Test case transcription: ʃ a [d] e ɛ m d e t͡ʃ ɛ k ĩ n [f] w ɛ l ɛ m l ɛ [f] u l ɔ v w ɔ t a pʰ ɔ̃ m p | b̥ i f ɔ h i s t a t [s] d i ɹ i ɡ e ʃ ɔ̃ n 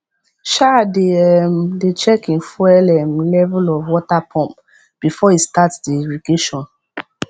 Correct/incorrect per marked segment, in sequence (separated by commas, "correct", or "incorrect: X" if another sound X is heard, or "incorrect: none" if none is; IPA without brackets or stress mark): correct, correct, incorrect: v, correct